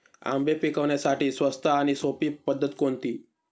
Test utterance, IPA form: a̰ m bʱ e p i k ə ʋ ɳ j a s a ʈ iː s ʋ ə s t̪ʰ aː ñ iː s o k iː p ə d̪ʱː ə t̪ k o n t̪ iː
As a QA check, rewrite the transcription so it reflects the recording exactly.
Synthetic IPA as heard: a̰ m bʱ e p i k ə ʋ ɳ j a s a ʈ iː s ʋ ə s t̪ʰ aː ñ i s o p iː p ə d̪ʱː ə t̪ k o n t̪ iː

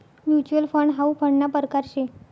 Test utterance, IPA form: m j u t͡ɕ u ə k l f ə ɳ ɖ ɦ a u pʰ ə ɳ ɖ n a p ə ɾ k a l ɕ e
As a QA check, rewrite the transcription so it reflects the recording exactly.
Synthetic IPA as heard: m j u t͡ɕ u ə l f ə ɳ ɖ ɦ a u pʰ ə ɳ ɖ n a p ə ɾ k a ɾ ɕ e

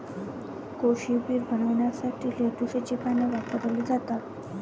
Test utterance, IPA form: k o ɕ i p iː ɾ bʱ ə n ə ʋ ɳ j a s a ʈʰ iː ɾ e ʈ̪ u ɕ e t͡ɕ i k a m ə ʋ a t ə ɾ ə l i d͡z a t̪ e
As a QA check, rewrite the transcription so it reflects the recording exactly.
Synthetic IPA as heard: k o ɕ i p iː ɾ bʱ ə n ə ʋ ɳ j a s a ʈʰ iː l e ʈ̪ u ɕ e t͡ɕ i k a n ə ʋ a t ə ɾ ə l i d͡z a t̪ a

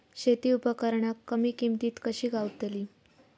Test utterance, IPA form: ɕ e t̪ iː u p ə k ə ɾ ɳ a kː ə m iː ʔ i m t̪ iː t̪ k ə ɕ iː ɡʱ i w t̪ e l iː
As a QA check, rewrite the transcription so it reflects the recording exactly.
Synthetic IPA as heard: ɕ e t̪ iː u p ə k ə ɾ ɳ a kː ə m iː k i m t̪ iː t̪ k ə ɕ iː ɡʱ a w t̪ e l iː

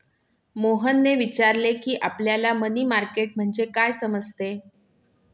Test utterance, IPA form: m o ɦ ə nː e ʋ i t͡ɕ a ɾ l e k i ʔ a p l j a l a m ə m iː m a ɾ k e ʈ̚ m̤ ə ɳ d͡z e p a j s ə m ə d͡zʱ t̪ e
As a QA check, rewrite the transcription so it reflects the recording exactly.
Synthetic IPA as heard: m o ɦ ə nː e ʋ i t͡ɕ a ɾ l e k iː ʔ a p l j a l a m ə n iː m a ɾ k e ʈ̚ m̤ ə ɳ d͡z e k a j s ə m ə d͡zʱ t̪ e

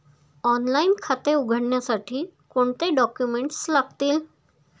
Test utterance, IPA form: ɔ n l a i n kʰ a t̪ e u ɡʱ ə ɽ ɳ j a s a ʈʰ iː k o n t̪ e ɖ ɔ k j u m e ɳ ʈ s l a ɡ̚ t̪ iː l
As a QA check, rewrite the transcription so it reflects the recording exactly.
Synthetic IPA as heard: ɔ n l a i n kʰ a t̪ e u ɡʱ ə ɽ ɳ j a s a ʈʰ iː k o ɳ t̪ e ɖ ɔ k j u m e ɳ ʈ s l a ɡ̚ t̪ iː l

